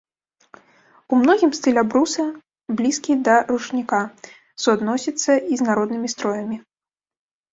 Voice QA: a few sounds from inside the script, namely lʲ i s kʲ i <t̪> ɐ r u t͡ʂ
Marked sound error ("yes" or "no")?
yes